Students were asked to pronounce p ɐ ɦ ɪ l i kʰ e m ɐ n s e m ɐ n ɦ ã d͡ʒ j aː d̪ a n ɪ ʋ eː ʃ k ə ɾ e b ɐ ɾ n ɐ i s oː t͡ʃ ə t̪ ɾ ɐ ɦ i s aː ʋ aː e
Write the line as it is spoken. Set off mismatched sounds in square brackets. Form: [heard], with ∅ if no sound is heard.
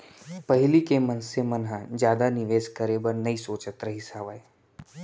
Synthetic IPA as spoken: p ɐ ɦ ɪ l i [k] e m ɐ n s e m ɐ n ɦ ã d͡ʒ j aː d̪ a n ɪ ʋ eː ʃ k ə ɾ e b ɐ ɾ n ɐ i s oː t͡ʃ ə t̪ ɾ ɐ ɦ i s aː ʋ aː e

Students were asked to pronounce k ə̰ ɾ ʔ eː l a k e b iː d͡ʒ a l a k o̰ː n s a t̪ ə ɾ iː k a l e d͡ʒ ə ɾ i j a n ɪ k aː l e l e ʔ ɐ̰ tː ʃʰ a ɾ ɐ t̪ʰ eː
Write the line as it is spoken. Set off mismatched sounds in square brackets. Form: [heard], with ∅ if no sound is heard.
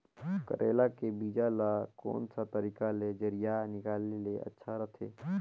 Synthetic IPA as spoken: k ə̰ ɾ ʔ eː l a k e b iː d͡ʒ a l a k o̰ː n s a t̪ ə ɾ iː k a l e d͡ʒ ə ɾ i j a n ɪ k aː l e l e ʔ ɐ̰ tː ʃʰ a ɾ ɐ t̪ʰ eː

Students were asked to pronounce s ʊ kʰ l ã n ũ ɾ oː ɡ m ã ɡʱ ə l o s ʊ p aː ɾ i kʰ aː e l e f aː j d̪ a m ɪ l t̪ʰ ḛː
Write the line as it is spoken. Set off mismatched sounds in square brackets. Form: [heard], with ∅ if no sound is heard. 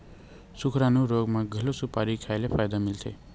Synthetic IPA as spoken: s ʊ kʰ [ɾ] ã n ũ ɾ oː ɡ m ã ɡʱ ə l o s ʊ p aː ɾ i kʰ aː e l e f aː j d̪ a m ɪ l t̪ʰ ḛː

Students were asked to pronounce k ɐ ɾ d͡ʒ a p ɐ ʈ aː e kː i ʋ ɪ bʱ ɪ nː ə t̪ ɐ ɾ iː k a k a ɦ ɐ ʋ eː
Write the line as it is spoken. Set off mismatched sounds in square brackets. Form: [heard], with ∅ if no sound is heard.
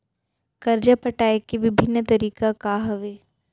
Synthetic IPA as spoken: k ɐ ɾ d͡ʒ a p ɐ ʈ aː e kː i ʋ ɪ bʱ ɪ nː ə t̪ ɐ ɾ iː k a k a ɦ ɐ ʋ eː

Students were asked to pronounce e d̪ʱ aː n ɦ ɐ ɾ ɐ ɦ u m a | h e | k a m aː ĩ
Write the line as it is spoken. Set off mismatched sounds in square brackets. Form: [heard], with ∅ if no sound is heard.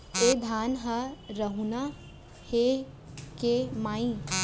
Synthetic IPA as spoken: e d̪ʱ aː n ɦ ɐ ɾ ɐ ɦ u [n] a | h e | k [e] m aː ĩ

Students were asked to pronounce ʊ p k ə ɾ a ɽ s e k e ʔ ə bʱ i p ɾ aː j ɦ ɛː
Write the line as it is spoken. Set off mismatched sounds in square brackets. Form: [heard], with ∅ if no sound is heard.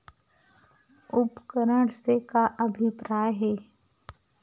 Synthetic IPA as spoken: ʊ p k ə ɾ [ə] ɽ s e k [a] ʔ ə bʱ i p ɾ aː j ɦ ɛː

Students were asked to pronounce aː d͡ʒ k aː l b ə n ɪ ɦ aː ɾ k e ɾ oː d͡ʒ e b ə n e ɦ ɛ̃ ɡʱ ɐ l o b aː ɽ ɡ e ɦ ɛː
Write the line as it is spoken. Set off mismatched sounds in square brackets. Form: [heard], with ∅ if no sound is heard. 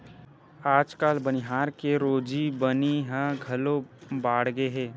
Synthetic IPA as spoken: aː d͡ʒ k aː l b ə n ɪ ɦ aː ɾ k e ɾ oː d͡ʒ [i] b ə n [i] ɦ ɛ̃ ɡʱ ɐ l o b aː ɽ ɡ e ɦ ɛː

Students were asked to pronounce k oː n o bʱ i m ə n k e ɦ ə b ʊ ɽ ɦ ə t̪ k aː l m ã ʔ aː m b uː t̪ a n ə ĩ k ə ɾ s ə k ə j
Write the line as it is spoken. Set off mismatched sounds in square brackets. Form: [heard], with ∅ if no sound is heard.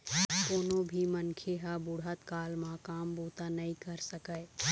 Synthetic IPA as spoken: k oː n o bʱ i m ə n [kʰ] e ɦ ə b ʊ ɽ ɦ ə t̪ k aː l m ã [k] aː m b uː t̪ a n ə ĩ k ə ɾ s ə k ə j

